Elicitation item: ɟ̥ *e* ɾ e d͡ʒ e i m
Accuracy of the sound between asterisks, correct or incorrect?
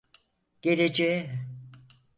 correct